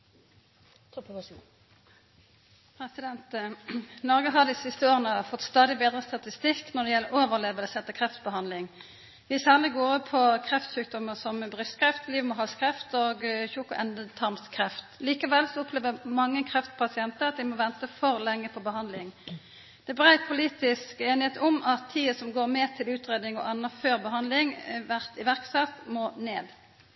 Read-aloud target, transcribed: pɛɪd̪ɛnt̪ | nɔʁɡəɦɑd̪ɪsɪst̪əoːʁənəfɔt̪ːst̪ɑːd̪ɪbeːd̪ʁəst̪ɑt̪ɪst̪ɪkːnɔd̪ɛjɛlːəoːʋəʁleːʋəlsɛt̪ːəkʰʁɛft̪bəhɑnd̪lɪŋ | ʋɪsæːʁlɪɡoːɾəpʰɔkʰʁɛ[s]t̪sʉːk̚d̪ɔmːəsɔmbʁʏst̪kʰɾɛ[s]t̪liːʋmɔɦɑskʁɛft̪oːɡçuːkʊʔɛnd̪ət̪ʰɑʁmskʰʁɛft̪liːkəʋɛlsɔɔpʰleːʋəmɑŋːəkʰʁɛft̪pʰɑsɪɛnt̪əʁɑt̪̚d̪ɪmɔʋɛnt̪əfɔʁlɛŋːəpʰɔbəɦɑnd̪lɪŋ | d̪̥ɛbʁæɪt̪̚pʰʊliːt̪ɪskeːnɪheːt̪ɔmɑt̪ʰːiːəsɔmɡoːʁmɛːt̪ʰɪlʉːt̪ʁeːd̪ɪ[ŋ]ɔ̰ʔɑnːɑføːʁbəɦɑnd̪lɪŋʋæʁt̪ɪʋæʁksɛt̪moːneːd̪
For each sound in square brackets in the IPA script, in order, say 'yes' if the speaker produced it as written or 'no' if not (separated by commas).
no, no, yes